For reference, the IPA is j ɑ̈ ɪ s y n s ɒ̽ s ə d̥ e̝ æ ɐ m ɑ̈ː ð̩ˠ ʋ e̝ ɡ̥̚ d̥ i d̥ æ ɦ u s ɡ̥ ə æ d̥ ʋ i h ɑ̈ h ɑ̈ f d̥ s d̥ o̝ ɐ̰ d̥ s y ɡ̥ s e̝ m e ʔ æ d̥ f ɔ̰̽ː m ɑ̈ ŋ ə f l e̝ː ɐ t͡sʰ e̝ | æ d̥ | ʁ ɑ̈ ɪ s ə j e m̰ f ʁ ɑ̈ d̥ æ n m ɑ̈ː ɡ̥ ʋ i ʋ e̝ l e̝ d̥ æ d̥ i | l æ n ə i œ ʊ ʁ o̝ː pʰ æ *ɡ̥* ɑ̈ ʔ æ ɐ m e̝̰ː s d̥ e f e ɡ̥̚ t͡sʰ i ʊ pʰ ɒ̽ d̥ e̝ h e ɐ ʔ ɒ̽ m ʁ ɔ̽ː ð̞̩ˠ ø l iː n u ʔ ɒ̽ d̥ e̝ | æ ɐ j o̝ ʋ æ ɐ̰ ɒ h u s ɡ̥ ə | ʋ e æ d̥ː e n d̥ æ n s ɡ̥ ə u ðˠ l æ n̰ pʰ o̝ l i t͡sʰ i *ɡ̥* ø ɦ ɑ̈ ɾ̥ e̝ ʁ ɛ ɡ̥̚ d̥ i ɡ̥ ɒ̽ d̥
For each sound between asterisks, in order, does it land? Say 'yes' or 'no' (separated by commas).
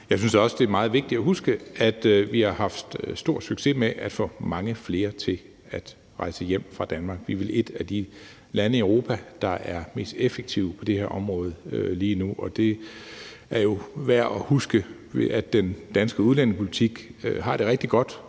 no, yes